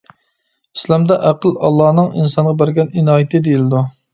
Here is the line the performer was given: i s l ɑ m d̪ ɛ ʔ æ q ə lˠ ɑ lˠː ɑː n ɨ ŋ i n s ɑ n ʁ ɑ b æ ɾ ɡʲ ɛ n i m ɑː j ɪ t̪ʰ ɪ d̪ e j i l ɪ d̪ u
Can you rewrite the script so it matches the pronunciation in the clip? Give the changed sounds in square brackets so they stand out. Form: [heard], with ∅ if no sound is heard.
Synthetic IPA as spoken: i s l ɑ m d̪ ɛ ʔ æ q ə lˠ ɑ lˠː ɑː n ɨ ŋ i n s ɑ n ʁ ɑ b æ ɾ ɡʲ ɛ n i [n] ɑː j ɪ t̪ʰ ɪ d̪ e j i l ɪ d̪ u

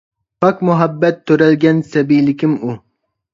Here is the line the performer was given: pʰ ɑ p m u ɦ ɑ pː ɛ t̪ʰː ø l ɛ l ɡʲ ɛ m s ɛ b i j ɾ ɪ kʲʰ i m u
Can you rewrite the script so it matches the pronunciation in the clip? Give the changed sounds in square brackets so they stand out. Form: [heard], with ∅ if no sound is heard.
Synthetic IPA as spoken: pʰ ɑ [k] m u ɦ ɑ [bː] ɛ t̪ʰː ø [ɾ] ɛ l ɡʲ ɛ [n] s ɛ b i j [l] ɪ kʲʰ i m u

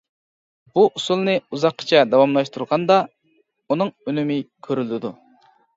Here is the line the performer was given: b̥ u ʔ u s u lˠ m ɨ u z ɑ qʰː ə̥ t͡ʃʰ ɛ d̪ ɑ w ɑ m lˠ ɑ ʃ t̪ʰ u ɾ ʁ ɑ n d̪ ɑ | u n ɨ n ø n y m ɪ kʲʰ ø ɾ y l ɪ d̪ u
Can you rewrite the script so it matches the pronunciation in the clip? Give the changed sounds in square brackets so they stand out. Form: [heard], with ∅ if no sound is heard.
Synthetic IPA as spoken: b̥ u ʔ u s u lˠ [n] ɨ u z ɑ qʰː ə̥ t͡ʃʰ ɛ d̪ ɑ w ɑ m lˠ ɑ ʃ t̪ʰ u ɾ ʁ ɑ n d̪ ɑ | u n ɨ [ŋ] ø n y m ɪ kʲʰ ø ɾ y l ɪ d̪ u

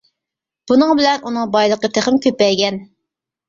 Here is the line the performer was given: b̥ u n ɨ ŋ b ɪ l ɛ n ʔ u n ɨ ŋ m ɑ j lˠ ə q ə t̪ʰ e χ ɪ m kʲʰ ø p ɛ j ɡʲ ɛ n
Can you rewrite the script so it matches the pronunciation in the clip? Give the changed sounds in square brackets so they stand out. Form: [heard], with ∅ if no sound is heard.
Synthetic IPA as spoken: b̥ u n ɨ ŋ b ɪ l ɛ n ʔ u n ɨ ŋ [b] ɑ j lˠ ə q ə t̪ʰ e χ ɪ m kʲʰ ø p ɛ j ɡʲ ɛ n

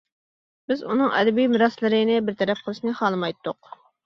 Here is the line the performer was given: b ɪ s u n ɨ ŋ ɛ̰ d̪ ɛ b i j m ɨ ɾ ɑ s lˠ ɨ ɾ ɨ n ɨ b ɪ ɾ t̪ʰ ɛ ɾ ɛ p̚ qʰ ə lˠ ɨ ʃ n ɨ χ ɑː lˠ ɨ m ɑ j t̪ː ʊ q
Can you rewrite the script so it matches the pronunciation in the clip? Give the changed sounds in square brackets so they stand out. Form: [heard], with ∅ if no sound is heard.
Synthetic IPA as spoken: b ɪ [z] u n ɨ ŋ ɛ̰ d̪ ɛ b i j m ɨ ɾ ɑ s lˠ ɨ ɾ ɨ n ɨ b ɪ ɾ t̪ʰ ɛ ɾ ɛ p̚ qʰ ə lˠ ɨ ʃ n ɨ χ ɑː lˠ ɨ m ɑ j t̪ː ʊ q

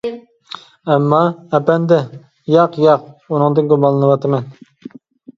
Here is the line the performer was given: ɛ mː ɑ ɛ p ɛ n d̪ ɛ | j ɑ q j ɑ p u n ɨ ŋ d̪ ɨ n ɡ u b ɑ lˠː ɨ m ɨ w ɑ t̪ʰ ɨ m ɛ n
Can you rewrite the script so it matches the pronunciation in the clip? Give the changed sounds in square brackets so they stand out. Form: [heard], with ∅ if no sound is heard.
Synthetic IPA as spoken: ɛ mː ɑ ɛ p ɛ n d̪ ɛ | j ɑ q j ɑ [q] u n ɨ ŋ d̪ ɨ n ɡ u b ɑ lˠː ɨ [n] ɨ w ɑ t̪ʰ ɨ m ɛ n

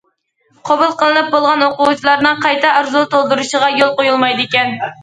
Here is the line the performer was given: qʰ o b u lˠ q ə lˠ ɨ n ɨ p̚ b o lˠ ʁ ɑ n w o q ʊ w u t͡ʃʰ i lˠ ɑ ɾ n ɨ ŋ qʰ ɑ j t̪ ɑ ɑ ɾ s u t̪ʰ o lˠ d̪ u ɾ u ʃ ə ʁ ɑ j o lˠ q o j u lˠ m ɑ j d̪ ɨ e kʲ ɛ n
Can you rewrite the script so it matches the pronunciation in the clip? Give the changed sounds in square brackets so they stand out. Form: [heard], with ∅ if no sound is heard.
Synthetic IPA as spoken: qʰ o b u lˠ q ə lˠ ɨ n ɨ p̚ b o lˠ ʁ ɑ n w o q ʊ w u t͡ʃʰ i lˠ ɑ ɾ n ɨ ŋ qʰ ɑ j t̪ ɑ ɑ ɾ [z] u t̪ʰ o lˠ d̪ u ɾ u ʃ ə ʁ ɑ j o lˠ q o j u lˠ m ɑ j d̪ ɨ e kʲ ɛ n

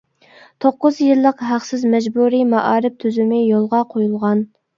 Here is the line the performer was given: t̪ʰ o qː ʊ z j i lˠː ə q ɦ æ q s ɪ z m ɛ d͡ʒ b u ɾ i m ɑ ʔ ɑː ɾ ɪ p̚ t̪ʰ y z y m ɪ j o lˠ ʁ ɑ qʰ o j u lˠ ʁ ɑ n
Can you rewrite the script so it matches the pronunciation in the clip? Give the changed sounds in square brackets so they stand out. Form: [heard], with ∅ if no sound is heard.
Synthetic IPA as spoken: t̪ʰ o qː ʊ z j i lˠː ə q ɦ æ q s ɪ z m ɛ d͡ʒ b u ɾ i m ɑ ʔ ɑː ɾ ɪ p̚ t̪ʰ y z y m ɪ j o lˠ ʁ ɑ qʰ o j u lˠ ʁ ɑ n

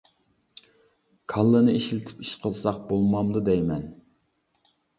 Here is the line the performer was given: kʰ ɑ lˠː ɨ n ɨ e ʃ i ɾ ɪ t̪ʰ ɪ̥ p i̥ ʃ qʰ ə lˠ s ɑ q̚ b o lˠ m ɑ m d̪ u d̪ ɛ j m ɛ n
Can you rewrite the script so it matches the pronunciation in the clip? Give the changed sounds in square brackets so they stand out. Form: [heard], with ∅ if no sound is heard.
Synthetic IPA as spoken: kʰ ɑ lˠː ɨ n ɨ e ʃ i [l] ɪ t̪ʰ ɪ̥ p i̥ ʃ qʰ ə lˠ s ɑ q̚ b o lˠ m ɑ m d̪ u d̪ ɛ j m ɛ n

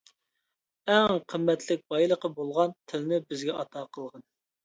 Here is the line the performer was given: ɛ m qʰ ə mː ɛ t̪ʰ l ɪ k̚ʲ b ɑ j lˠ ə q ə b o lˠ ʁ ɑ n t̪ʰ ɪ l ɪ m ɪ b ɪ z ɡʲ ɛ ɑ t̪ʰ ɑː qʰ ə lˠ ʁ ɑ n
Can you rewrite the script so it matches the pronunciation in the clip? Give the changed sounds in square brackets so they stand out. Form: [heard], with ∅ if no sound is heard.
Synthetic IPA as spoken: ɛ [ŋ] qʰ ə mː ɛ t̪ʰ l ɪ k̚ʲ b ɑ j lˠ ə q ə b o lˠ ʁ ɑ n t̪ʰ ɪ l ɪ [n] ɪ b ɪ z ɡʲ ɛ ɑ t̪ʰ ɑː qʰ ə lˠ ʁ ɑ n

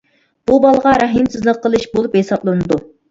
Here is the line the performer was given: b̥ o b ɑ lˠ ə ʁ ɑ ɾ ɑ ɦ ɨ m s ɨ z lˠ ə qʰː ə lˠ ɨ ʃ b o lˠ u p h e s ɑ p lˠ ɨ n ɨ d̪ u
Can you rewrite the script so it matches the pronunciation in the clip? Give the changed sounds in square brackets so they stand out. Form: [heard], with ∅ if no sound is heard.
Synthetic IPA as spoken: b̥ [u] b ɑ lˠ ə ʁ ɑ ɾ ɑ ɦ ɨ m s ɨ z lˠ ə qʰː ə lˠ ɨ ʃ b o lˠ u p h e s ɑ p lˠ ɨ n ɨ d̪ u

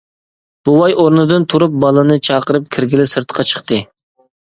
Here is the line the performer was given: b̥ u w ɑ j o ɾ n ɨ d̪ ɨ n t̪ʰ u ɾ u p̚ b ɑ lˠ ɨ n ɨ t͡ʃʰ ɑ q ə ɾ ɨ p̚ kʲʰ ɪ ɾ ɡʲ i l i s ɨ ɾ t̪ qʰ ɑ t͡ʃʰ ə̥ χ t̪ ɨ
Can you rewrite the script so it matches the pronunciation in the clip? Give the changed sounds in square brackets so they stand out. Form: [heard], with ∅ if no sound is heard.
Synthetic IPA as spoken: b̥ u w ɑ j o ɾ n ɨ d̪ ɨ n t̪ʰ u ɾ u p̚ b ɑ lˠ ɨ n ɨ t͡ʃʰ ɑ q ə ɾ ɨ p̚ kʲʰ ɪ ɾ ɡʲ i l [ɪ] s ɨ ɾ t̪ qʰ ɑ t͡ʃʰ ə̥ χ t̪ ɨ

